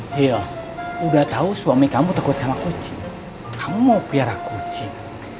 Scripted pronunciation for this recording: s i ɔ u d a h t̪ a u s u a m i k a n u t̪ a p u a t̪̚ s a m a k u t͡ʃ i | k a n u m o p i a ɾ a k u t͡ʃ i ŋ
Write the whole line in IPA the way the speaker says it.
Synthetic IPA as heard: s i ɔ u d a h t̪ a u s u a m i k a m u t̪ a k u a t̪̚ s a m a k u t͡ʃ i | k a m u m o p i a ɾ a k u t͡ʃ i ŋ